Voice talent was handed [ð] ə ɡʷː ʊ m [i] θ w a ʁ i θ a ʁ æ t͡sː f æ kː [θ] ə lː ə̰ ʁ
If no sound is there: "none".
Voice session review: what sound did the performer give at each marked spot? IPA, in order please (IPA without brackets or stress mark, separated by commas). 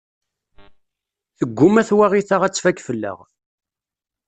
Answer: θ, æ, f